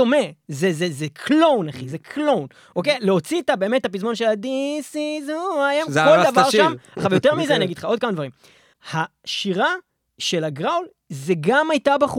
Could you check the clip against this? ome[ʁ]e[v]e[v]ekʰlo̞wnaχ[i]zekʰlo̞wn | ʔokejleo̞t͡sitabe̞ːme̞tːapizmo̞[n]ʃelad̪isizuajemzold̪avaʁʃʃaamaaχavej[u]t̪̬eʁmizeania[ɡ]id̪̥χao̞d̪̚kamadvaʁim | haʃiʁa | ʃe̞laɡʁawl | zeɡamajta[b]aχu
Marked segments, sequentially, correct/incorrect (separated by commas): incorrect, incorrect, incorrect, correct, correct, incorrect, correct, correct